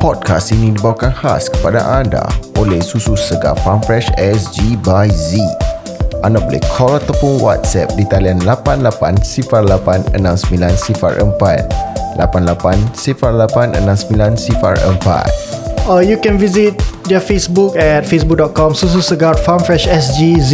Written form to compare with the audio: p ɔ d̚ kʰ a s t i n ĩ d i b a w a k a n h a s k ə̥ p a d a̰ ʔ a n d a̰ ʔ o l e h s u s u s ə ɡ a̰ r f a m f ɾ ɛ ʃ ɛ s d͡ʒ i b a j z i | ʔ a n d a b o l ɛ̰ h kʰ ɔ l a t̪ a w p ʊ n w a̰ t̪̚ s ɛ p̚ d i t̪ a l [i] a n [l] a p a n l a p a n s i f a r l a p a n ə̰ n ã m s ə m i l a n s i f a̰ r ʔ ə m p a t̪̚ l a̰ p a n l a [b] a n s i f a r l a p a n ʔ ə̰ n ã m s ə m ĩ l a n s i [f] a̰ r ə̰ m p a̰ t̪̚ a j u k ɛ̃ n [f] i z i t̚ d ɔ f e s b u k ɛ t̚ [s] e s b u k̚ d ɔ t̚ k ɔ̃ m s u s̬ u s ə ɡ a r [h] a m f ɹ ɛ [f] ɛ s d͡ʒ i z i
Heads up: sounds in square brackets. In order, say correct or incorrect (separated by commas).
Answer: correct, correct, incorrect, correct, incorrect, incorrect, incorrect, incorrect